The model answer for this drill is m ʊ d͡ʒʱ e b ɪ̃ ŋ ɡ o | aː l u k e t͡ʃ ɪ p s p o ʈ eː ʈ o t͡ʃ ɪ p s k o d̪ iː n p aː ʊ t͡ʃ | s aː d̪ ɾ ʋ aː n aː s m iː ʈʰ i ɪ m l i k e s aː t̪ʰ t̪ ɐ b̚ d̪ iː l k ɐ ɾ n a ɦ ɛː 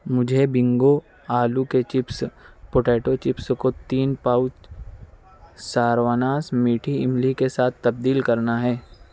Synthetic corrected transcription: m ʊ d͡ʒʱ e b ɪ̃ ŋ ɡ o | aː l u k e t͡ʃ ɪ p s p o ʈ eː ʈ o t͡ʃ ɪ p s k o t̪ iː n p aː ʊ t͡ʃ | s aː ɾ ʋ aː n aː s m iː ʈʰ i ɪ m l i k e s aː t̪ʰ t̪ ɐ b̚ d̪ iː l k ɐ ɾ n a ɦ ɛː